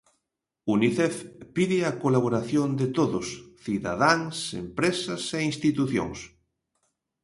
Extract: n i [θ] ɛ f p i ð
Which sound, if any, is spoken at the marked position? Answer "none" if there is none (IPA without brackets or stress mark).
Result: θ